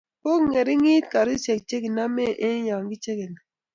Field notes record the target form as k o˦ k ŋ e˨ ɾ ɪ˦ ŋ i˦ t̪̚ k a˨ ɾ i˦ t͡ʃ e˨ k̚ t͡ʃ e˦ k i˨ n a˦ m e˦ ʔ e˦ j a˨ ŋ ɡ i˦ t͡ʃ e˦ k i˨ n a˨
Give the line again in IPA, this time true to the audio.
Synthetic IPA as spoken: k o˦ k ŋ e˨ ɾ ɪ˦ ŋ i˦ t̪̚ k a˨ ɾ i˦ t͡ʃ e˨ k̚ t͡ʃ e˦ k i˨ n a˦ m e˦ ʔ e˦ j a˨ ŋ ɡ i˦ t͡ʃ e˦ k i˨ n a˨